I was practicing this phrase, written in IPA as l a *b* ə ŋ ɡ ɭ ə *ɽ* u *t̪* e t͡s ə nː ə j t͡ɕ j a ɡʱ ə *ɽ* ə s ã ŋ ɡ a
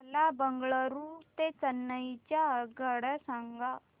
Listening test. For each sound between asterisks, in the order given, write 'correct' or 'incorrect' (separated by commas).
correct, incorrect, correct, correct